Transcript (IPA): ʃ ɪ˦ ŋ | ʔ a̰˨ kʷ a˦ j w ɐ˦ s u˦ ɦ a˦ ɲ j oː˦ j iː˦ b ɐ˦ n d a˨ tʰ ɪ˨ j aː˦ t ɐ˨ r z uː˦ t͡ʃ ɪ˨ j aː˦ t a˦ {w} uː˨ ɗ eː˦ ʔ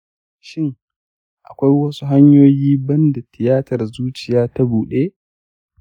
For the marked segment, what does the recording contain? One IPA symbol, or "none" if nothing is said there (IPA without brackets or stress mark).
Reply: b